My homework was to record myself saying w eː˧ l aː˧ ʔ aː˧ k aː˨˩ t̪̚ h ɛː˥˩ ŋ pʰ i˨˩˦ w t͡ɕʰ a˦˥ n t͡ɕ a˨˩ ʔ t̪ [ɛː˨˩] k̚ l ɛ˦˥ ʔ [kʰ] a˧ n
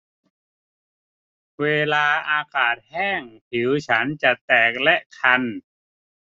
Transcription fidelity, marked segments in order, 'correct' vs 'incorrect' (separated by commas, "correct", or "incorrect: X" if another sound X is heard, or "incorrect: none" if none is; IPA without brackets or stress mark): correct, correct